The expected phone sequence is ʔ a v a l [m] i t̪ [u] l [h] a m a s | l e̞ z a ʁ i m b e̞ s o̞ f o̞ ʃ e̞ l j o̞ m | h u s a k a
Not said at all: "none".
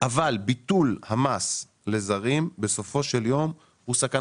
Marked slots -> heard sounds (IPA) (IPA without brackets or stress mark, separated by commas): b, u, h